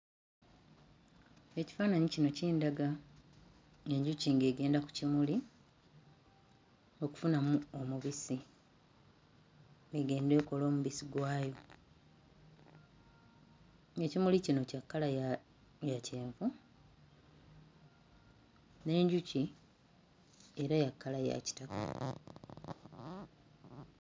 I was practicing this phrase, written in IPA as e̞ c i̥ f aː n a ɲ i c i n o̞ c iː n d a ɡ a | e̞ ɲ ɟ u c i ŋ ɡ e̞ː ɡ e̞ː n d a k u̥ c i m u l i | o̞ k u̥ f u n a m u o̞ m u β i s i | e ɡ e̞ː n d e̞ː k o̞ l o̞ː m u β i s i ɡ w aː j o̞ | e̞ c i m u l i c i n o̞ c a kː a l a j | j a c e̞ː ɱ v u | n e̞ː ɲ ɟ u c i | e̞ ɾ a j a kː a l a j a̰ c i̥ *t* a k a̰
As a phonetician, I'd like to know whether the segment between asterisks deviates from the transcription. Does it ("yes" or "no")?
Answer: no